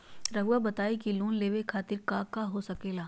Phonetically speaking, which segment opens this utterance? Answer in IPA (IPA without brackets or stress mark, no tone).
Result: ɾ